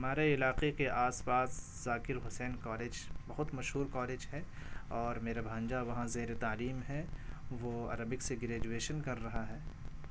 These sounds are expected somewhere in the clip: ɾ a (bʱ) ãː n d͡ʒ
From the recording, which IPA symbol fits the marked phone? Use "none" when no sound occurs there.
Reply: bʱ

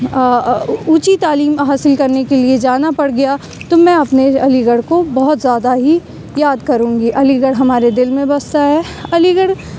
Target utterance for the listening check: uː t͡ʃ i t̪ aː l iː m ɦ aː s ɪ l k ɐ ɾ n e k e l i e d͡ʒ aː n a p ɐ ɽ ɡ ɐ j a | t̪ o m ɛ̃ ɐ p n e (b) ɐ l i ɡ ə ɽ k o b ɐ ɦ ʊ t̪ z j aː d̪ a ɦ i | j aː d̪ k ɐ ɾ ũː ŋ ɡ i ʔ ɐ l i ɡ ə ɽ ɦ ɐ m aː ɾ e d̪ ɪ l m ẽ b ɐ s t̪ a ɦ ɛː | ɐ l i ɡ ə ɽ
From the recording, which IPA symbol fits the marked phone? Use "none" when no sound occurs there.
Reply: none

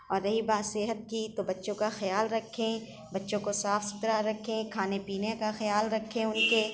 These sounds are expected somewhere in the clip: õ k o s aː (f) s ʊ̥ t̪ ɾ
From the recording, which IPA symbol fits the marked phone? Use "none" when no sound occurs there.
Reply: f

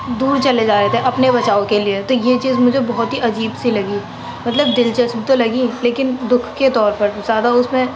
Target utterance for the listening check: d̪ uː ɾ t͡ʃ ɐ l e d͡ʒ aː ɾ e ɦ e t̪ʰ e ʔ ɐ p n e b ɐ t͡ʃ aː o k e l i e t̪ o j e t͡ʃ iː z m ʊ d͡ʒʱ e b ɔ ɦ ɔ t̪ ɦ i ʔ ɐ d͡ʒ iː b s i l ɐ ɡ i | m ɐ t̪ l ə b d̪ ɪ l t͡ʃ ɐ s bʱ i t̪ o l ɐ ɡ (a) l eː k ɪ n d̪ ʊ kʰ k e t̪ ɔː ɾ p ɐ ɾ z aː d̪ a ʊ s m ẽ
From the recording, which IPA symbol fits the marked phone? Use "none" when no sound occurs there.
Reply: i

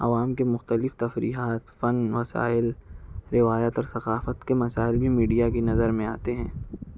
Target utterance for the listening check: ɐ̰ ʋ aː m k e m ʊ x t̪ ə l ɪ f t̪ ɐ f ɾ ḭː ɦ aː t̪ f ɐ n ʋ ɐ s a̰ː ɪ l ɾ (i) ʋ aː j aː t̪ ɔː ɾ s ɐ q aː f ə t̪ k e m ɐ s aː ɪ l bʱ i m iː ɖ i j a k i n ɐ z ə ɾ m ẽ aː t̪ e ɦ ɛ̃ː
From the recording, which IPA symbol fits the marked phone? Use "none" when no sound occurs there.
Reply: ɪ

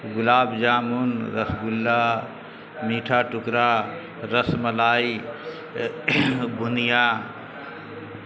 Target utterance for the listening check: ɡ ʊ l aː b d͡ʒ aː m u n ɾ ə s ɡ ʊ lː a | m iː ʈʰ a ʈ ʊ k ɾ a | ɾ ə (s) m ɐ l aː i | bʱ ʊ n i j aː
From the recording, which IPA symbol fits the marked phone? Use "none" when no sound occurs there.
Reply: s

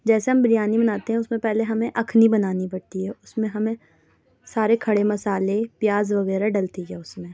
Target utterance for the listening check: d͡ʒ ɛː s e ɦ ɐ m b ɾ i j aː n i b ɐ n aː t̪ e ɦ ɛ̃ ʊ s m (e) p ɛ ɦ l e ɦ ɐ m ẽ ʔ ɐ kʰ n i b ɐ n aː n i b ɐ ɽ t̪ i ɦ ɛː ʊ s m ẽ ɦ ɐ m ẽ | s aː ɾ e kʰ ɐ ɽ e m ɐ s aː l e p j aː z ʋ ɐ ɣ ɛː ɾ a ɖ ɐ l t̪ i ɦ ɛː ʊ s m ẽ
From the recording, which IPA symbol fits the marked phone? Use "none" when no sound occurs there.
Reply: ẽ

